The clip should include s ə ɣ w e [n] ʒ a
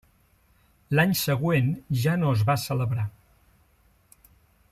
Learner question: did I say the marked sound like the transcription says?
yes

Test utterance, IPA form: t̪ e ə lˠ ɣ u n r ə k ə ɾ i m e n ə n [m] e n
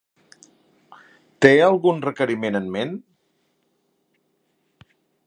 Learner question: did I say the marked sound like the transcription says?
yes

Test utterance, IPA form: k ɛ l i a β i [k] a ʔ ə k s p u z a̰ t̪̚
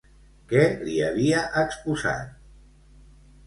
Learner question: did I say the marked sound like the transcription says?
no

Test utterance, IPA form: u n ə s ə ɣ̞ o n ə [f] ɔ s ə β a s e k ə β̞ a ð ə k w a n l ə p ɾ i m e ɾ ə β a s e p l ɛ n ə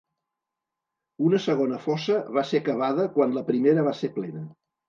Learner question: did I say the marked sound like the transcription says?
yes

